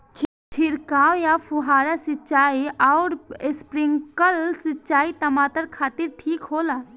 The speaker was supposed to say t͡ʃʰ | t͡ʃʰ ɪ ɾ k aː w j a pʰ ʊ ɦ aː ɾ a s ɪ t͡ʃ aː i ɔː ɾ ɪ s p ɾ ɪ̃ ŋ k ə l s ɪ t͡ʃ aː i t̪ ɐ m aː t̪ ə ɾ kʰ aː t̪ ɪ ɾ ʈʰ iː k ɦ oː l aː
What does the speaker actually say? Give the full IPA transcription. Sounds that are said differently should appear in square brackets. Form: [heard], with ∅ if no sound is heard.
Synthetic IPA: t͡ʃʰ | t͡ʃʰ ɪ ɾ k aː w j a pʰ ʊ ɦ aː ɾ a s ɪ t͡ʃ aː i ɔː ɾ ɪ s p ɾ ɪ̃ ŋ k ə l s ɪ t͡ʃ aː i t̪ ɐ m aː t̪ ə ɾ kʰ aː t̪ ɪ ɾ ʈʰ iː k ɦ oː l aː